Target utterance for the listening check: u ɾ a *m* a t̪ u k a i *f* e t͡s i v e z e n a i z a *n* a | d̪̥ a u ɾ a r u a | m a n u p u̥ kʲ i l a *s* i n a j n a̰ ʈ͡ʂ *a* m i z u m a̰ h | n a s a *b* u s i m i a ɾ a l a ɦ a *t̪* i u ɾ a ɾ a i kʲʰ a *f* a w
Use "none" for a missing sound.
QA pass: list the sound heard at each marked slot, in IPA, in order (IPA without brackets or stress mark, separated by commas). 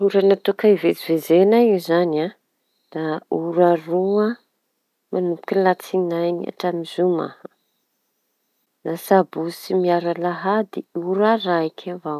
n, v, n, t͡s, a, b, d̪, v